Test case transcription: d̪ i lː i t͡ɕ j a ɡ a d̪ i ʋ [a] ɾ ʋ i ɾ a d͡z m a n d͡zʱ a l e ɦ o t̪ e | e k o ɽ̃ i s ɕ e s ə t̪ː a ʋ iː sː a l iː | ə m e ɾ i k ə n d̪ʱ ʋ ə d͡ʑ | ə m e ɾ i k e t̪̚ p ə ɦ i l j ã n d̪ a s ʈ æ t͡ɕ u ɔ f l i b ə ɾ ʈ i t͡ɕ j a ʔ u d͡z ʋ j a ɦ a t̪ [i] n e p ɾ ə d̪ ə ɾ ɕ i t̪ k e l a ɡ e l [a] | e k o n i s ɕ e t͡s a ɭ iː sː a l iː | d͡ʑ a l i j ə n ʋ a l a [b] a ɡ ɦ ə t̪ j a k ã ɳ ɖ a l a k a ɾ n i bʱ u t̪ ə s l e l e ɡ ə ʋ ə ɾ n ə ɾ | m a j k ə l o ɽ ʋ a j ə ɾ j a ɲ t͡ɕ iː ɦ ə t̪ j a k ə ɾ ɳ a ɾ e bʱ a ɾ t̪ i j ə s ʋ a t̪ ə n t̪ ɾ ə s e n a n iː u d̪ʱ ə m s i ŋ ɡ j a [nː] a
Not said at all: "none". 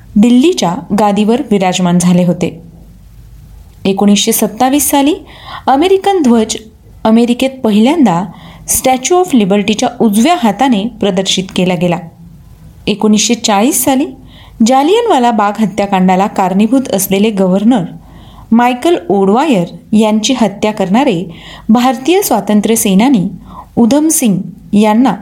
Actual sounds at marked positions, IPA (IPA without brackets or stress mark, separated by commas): ə, a, a, b, nː